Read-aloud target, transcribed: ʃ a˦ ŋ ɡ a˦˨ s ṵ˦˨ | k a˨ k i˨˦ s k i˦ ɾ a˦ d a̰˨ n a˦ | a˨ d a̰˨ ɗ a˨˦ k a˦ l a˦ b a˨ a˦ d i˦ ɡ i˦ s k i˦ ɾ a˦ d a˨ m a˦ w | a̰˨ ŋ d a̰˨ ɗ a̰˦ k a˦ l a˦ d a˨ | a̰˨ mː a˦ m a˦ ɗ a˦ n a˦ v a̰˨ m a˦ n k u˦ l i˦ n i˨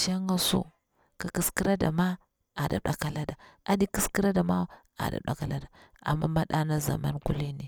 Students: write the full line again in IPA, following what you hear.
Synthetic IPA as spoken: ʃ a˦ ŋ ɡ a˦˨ s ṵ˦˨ | k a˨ k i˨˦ s k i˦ ɾ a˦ d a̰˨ m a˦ | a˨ d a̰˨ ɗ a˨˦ k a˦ l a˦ d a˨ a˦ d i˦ k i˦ s k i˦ ɾ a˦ d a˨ m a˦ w | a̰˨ d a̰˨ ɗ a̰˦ k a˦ l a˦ d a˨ | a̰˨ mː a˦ m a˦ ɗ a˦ n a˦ z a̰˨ m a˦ n k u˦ l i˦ n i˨